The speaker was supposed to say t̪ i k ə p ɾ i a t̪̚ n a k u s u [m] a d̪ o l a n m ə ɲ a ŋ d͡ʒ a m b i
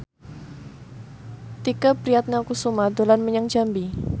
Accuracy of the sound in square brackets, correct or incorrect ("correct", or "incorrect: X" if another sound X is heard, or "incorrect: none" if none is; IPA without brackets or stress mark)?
correct